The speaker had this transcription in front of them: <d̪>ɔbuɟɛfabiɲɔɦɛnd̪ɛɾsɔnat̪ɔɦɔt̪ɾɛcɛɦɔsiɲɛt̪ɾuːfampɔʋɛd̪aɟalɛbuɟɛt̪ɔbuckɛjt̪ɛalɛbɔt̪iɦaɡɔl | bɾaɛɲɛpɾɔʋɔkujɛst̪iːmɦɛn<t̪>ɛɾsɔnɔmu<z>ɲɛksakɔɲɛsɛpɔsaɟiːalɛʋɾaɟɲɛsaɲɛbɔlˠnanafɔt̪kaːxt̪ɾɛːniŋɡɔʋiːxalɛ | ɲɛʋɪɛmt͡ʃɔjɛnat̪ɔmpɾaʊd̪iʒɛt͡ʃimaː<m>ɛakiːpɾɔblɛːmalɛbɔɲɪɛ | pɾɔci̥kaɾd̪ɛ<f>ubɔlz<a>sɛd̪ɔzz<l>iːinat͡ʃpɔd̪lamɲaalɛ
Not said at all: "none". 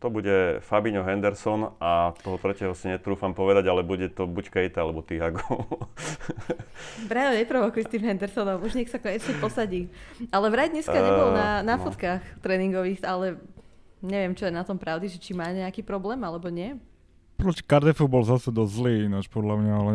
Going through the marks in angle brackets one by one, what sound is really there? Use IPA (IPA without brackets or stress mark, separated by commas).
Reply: t̪, d̪, ʒ, ɲ, f, a, l